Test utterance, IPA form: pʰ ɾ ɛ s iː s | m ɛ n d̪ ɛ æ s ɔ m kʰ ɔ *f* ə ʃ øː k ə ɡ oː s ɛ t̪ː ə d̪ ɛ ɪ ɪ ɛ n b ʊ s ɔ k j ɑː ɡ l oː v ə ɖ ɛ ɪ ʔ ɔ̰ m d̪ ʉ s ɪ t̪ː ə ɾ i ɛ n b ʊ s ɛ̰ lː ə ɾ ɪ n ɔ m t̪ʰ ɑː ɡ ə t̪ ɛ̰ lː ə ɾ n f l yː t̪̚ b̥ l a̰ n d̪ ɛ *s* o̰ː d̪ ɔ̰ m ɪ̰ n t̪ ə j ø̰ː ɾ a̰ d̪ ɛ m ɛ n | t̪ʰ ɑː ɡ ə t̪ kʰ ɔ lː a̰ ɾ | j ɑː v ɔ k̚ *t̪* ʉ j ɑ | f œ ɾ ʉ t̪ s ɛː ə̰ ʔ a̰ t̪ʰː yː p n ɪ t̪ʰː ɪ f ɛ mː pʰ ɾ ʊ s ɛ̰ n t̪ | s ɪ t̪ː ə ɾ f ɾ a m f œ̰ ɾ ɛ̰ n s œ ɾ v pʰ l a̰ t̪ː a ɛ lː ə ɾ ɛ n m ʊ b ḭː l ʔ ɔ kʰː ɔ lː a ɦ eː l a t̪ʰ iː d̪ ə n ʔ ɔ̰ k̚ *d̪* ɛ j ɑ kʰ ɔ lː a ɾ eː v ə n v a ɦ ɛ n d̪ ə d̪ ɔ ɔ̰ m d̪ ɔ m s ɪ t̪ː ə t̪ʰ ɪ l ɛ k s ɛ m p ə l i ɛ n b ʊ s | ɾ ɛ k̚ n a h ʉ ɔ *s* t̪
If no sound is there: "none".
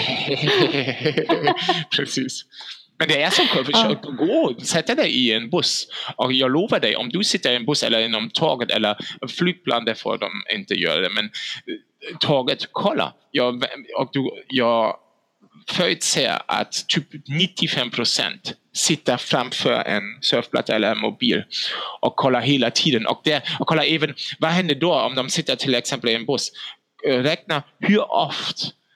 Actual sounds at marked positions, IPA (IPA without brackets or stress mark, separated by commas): f, f, d̪, d̪, f